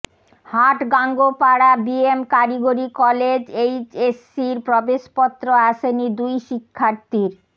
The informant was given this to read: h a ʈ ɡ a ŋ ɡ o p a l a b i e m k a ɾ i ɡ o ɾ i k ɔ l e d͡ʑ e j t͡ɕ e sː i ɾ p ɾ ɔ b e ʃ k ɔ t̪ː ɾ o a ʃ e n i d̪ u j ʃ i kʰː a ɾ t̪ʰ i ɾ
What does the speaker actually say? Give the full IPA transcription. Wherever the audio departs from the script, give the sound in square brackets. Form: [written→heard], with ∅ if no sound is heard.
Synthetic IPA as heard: h a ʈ ɡ a ŋ ɡ o p a [l→ɽ] a b i e m k a ɾ i ɡ o ɾ i k ɔ l e d͡ʑ e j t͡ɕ e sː i ɾ p ɾ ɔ b e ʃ [k→p] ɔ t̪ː ɾ o a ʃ e n i d̪ u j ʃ i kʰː a ɾ [t̪ʰ→t̪] i ɾ